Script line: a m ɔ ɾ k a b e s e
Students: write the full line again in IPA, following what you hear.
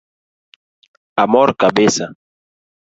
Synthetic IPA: a m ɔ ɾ k a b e s a

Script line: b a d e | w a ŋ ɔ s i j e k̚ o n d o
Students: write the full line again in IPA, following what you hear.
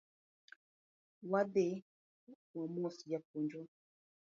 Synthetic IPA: w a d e | w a m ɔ s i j a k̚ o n d͡ʒ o

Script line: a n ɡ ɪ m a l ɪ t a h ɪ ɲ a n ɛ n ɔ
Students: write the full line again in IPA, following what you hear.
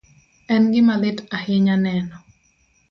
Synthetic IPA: ɛ n ɡ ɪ m a l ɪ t a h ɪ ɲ a n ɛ n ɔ

